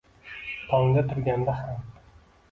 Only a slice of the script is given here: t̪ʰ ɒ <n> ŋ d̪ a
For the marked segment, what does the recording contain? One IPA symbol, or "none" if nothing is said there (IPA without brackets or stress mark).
none